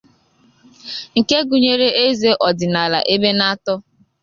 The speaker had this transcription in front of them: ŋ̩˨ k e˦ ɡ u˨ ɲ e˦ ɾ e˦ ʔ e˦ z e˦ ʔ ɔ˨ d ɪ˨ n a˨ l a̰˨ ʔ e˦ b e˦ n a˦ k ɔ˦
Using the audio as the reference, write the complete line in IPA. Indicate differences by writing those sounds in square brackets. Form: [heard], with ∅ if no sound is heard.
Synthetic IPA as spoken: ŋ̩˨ k e˦ ɡ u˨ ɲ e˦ ɾ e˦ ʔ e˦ z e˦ ʔ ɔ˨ d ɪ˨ n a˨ l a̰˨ ʔ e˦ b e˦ n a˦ [t] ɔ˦

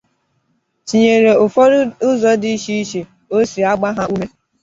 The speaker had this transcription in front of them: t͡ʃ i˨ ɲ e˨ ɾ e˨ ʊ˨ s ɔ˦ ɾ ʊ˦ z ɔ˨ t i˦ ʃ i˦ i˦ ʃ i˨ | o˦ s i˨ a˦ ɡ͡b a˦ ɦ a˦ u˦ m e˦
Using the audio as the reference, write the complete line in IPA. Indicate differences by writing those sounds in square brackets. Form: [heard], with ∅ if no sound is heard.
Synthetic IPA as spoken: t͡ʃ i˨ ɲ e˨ ɾ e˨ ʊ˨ [f] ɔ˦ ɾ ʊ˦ z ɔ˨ [d] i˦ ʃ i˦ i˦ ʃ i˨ | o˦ s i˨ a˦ ɡ͡b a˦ ɦ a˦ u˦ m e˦

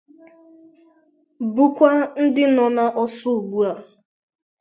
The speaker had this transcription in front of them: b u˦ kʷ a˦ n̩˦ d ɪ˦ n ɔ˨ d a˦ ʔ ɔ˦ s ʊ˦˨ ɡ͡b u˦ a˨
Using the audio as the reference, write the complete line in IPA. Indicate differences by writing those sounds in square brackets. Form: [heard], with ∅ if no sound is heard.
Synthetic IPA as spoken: b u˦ kʷ a˦ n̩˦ d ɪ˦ n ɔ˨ [n] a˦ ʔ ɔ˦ s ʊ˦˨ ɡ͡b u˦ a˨

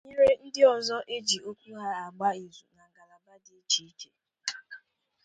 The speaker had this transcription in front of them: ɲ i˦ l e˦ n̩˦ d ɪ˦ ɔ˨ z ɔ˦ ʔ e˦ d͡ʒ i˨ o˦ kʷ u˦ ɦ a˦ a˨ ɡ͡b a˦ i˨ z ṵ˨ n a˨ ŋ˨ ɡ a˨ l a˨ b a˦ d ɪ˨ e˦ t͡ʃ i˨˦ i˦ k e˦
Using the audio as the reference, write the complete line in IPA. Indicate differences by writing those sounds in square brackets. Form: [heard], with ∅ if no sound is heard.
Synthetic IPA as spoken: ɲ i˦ [ɾ] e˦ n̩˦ d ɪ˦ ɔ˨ z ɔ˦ ʔ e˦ d͡ʒ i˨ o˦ kʷ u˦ ɦ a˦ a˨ ɡ͡b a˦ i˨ z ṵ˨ n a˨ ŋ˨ ɡ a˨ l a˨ b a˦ d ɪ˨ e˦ t͡ʃ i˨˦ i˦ k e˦

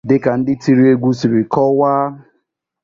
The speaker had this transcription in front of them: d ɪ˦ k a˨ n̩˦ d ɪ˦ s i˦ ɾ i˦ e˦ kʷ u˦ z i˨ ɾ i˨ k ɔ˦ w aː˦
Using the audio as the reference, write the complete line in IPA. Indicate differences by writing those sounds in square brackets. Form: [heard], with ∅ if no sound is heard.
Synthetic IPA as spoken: d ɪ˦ k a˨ n̩˦ d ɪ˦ [t] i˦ ɾ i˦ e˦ [ɡʷ] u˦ [s] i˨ ɾ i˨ k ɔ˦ w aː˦

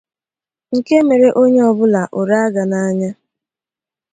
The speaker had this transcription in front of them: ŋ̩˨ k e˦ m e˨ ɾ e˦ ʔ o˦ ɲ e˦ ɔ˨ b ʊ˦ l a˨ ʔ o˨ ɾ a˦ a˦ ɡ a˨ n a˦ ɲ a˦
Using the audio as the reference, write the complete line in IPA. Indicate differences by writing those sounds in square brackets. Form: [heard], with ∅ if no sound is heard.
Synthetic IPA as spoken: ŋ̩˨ k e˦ m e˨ ɾ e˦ ʔ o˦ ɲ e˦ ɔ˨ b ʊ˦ l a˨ ʔ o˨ ɾ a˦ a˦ ɡ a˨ n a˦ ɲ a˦

